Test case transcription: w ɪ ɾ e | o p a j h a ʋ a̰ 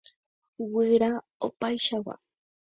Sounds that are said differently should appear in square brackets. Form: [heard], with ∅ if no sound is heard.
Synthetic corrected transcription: w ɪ ɾ [a] | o p a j [ʃ] a [w] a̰